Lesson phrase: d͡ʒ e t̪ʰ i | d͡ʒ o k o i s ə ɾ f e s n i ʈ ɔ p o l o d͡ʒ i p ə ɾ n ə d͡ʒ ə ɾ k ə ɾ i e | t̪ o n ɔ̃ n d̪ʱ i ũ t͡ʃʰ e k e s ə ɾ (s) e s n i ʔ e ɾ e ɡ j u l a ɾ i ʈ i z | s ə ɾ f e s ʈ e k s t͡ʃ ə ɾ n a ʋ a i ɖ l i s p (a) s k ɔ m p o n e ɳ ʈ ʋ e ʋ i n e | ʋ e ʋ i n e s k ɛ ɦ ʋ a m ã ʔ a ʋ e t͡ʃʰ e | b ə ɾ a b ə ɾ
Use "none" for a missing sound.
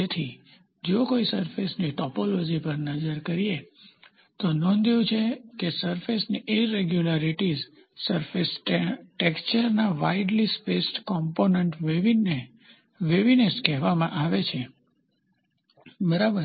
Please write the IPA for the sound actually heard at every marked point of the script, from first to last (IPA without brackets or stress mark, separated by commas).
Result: f, e